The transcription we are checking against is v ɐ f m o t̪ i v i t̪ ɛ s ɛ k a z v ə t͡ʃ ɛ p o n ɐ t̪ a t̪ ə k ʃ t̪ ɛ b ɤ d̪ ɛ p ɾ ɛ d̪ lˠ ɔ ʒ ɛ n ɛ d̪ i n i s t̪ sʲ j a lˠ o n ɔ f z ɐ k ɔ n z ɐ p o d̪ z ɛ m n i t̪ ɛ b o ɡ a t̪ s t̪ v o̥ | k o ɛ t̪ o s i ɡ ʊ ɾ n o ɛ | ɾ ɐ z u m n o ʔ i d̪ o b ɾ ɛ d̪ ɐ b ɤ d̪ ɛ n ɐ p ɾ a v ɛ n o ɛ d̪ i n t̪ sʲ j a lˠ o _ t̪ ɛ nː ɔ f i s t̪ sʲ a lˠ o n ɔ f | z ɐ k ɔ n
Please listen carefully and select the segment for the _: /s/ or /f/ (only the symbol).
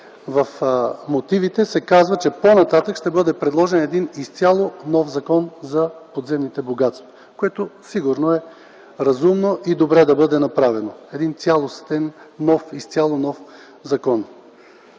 s